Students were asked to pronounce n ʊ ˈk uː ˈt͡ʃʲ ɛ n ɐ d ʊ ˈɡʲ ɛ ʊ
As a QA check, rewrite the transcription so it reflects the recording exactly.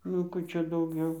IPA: n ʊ ˈk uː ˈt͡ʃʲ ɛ d ɐ ʊ ˈɡʲ ɛ ʊ